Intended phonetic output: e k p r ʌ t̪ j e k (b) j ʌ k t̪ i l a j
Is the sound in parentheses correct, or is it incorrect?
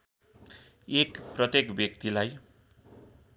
correct